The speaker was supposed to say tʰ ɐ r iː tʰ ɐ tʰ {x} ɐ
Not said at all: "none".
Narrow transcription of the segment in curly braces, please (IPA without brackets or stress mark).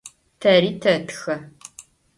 x